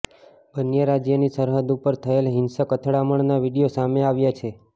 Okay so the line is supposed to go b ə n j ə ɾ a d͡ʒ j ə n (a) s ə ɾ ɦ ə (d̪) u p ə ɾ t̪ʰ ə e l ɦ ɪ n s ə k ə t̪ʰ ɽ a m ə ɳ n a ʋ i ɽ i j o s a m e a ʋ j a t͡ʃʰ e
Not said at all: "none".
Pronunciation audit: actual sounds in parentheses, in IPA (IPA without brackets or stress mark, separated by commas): i, d̪